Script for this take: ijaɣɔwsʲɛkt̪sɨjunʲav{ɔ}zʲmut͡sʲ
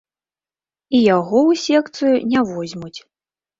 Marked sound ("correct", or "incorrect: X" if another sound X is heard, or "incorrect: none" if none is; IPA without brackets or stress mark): correct